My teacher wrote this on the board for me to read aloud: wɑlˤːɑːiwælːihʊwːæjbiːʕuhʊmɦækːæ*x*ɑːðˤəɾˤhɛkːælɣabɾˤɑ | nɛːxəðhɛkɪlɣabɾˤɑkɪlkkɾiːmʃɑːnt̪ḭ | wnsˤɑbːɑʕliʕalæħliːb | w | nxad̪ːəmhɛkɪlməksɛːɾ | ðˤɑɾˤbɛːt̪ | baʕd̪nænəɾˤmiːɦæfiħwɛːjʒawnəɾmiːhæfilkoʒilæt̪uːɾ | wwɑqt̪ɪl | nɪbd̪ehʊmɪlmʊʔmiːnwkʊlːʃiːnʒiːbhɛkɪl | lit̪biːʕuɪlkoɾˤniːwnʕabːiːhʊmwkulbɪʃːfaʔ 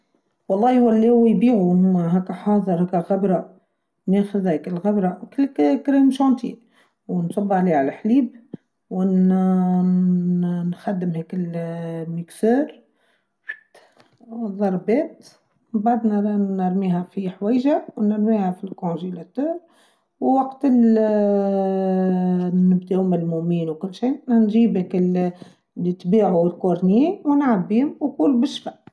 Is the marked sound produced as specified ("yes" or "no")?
no